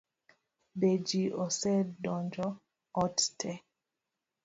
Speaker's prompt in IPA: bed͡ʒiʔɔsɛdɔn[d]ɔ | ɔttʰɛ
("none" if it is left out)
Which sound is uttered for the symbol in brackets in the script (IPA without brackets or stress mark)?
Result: d͡ʒ